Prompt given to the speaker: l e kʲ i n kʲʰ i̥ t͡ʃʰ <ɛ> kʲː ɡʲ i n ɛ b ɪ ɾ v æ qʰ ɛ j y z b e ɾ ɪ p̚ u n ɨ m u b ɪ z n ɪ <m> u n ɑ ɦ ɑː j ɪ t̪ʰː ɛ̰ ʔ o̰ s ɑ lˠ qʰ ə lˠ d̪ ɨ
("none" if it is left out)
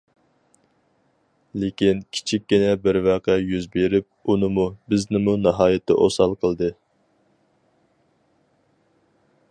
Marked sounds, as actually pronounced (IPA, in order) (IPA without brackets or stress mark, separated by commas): i, m